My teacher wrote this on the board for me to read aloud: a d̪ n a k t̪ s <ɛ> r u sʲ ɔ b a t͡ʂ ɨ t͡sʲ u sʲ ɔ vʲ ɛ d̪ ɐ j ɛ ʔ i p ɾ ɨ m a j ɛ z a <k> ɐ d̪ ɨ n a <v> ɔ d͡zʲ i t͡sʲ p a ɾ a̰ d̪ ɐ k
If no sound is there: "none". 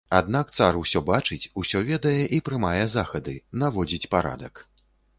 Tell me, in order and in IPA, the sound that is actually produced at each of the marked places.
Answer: a, x, v

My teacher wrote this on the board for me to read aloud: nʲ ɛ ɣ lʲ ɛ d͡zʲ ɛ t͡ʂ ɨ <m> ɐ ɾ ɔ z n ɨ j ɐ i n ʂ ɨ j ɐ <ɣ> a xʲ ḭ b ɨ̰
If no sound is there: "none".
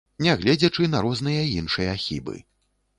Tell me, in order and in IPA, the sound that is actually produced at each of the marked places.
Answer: n, none

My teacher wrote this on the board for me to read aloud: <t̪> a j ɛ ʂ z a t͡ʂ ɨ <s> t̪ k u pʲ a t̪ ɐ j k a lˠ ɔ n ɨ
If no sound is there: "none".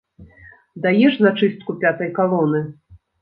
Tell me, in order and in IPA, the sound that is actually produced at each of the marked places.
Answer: d̪, s

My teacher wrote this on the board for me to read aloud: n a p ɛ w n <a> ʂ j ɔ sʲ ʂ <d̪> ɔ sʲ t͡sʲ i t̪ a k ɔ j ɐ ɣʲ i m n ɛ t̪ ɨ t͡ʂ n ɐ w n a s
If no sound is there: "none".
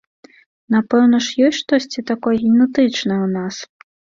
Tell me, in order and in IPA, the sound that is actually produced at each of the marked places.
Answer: ɐ, t̪

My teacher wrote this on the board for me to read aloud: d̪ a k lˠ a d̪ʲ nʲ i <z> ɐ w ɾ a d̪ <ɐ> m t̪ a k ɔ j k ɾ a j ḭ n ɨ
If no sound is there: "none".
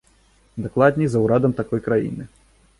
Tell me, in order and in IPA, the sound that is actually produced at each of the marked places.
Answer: z, ɐ

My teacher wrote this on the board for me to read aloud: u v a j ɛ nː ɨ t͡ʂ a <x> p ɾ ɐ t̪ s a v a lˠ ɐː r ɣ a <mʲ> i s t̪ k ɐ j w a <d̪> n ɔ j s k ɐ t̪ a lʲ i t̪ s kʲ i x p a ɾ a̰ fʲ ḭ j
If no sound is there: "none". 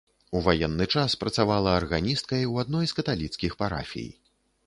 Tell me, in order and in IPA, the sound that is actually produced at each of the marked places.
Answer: s, nʲ, d̪

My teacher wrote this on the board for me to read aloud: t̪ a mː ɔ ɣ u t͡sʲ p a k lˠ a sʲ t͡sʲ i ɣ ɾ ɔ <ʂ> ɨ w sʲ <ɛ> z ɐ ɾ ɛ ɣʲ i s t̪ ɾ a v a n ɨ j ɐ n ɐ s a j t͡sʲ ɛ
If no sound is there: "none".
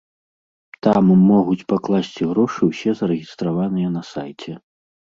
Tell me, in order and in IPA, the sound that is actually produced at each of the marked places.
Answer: ʂ, ɛ

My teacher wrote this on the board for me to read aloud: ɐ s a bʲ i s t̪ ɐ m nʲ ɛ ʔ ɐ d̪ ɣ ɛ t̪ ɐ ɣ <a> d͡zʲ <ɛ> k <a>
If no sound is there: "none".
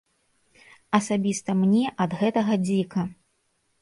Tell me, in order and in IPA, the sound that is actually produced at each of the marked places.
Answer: ɐ, i, ɐ

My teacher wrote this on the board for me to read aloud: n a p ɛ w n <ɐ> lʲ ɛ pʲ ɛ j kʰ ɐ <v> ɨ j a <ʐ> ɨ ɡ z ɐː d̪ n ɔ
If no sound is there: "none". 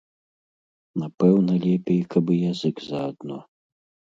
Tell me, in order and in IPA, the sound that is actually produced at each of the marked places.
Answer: ɐ, b, z

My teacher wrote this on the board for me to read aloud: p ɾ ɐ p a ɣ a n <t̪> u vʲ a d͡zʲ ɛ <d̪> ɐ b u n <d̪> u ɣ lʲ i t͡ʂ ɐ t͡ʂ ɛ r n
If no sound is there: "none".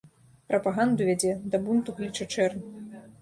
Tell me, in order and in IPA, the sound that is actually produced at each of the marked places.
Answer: d̪, d̪, t̪

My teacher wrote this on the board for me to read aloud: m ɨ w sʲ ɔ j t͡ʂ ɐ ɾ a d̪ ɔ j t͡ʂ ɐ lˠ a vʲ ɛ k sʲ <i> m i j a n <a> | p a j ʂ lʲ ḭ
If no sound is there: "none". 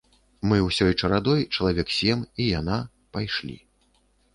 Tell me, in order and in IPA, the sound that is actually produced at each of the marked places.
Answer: ɛ, a

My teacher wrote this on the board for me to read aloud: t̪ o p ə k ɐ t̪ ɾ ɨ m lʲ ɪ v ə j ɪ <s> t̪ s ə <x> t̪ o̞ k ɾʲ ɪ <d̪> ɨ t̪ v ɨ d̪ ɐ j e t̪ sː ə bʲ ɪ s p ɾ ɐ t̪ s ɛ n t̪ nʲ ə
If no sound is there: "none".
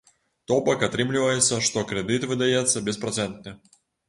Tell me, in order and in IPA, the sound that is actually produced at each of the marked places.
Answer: none, ʂ, d̪

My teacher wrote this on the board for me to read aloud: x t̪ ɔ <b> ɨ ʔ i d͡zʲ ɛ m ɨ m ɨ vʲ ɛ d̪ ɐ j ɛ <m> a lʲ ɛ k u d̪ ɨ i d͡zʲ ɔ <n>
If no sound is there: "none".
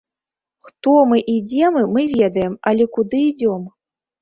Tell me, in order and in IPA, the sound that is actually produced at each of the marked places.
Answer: m, m, m

